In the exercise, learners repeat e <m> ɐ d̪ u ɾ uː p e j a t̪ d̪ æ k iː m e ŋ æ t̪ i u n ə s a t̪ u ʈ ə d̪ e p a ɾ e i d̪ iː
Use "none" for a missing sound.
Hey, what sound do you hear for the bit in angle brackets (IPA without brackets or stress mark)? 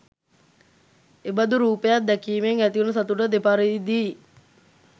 b